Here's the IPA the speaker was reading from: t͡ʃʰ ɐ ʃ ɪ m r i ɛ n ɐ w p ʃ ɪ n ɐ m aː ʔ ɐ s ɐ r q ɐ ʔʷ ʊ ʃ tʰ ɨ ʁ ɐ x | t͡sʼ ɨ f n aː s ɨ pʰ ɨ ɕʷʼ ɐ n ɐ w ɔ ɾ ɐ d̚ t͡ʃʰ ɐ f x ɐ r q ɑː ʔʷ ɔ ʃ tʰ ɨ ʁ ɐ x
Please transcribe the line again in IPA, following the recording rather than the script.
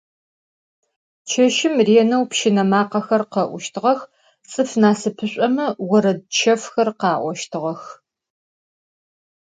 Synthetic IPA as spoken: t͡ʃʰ ɐ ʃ ɪ m r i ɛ n ɐ w p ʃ ɪ n ɐ m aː q ɐ x ɐ r q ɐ ʔʷ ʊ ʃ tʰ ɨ ʁ ɐ x | t͡sʼ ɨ f n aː s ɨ pʰ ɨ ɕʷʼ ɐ m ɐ w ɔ ɾ ɐ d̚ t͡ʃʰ ɐ f x ɐ r q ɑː ʔʷ ɔ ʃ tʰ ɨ ʁ ɐ x